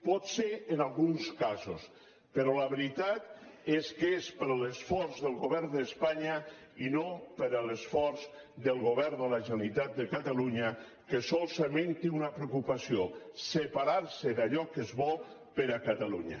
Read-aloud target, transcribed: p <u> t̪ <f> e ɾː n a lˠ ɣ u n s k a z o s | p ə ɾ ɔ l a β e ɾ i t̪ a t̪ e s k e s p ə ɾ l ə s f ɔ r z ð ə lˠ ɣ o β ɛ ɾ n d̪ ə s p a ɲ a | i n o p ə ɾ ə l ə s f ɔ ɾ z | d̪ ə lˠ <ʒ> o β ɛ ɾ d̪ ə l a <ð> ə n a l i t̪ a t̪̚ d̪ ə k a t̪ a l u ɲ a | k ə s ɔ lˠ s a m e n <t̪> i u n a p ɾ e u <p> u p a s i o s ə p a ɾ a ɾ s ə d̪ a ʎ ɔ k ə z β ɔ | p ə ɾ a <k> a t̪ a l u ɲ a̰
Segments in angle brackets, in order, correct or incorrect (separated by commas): incorrect, incorrect, incorrect, incorrect, correct, incorrect, correct